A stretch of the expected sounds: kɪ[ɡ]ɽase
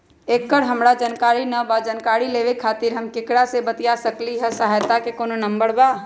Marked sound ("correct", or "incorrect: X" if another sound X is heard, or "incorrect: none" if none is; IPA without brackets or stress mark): incorrect: k